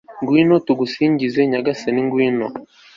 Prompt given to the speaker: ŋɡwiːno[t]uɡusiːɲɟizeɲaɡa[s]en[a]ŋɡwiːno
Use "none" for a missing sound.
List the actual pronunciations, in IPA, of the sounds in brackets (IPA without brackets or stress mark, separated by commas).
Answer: t, s, i